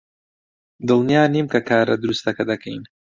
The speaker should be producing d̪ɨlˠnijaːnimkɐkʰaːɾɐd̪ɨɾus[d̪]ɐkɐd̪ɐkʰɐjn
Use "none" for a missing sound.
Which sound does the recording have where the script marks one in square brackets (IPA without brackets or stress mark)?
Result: t̪